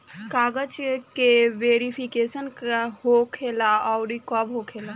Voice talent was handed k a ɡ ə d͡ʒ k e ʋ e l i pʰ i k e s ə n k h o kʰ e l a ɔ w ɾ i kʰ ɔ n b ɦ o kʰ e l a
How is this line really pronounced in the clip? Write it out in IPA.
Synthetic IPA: k a ɡ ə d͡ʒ k e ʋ e ɾ i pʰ i k e s ə n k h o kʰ e l a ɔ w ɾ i k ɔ b ɦ o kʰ e l a